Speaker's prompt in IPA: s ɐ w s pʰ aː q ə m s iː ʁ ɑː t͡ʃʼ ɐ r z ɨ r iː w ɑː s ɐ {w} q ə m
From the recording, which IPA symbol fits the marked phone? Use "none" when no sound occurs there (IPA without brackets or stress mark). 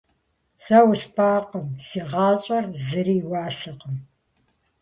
none